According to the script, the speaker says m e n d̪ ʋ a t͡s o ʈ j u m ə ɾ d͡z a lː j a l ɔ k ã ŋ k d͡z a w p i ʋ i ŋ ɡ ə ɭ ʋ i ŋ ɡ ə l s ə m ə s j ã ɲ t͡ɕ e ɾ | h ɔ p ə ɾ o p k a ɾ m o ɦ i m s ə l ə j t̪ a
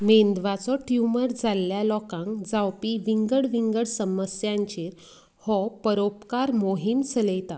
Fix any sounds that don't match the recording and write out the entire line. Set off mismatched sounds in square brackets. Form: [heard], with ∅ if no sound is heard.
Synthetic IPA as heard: m e n d̪ ʋ a t͡s [ɔ] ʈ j u m ə ɾ d͡z a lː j a l ɔ k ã ŋ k d͡z a w p i ʋ i ŋ ɡ ə [ɽ] ʋ i ŋ ɡ ə [ɽ] s ə m ə s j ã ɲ t͡ɕ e ɾ | h ɔ p ə ɾ o p k a ɾ m o ɦ i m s ə l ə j t̪ a